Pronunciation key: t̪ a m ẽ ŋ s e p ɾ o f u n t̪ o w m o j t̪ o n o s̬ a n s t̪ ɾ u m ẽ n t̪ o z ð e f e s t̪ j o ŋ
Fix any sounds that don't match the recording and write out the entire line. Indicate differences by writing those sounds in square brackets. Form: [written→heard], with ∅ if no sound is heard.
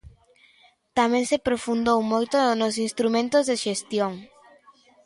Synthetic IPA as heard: t̪ a m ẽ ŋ s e p ɾ o f u n [t̪→d̪] o w m o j t̪ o n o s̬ [a→i] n s t̪ ɾ u m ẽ n t̪ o z ð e [f→ʃ] e s t̪ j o ŋ